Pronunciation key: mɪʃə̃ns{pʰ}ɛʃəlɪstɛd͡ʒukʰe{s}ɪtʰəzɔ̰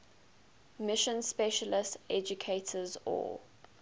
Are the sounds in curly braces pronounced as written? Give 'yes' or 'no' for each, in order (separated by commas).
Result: no, no